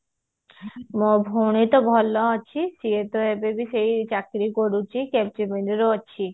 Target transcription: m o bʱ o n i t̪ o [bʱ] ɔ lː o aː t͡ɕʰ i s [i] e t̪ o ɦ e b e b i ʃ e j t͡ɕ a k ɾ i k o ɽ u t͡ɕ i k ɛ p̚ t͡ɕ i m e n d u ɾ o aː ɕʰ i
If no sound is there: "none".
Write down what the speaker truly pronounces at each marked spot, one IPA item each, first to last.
bʱ, i

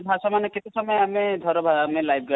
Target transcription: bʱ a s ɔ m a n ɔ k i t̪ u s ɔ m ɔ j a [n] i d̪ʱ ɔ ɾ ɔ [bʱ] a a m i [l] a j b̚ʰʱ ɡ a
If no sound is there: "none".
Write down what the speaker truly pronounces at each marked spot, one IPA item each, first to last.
m, bʱ, l

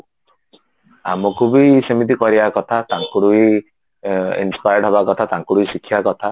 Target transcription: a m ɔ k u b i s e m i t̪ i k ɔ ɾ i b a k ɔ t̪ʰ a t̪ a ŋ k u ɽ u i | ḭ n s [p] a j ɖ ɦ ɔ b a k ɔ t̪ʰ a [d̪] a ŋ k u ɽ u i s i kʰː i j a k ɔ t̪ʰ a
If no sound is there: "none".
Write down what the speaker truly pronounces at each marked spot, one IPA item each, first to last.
p, t̪

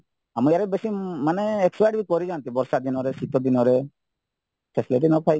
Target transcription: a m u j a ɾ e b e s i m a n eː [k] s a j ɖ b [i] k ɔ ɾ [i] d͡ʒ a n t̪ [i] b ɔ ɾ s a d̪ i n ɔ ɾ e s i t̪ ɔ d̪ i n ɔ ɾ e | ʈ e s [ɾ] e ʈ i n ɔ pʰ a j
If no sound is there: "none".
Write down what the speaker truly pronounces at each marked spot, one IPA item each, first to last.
k, i, i, i, l

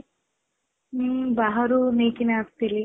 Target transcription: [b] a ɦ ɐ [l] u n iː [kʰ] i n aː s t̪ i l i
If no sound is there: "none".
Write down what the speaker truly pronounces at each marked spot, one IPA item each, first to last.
b, ɾ, k

